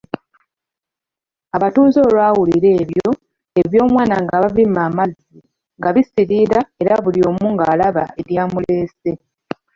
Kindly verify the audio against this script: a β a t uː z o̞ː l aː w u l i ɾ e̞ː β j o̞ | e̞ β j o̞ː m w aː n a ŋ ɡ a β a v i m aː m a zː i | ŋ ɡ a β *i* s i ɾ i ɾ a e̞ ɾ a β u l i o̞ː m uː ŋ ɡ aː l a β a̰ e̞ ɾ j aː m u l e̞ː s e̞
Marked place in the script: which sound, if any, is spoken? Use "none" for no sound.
i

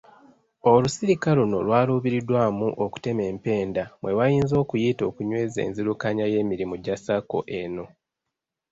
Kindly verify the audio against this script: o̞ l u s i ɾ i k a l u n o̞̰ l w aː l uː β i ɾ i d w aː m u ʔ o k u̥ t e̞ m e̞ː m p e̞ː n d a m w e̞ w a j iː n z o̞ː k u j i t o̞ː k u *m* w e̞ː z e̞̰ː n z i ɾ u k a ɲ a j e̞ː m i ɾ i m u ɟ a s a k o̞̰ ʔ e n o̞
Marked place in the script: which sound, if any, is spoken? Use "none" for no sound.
ɲ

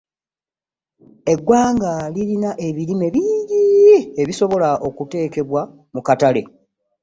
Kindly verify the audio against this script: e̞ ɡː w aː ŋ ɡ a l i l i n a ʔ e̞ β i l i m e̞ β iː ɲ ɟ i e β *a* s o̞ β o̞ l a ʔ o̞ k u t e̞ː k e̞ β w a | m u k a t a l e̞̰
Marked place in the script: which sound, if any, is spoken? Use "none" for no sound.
i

